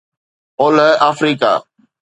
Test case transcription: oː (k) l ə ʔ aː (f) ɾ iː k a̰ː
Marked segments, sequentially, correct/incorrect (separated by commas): incorrect, correct